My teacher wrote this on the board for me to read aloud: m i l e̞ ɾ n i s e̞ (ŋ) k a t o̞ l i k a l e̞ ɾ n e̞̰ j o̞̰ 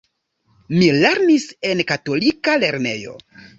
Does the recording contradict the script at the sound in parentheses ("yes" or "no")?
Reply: yes